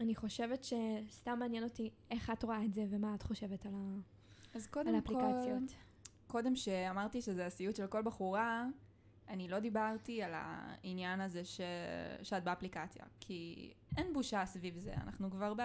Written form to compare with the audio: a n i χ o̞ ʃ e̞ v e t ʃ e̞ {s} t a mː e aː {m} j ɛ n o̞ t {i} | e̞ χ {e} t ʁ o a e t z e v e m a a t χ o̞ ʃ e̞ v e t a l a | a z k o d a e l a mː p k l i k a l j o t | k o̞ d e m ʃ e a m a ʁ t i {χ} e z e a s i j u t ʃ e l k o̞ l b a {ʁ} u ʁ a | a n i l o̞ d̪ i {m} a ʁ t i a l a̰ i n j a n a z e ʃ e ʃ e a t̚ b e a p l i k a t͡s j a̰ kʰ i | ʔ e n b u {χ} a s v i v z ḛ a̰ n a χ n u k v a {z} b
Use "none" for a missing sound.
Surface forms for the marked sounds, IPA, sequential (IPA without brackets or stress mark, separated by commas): s, n, i, a, ʃ, χ, b, ʃ, ʁ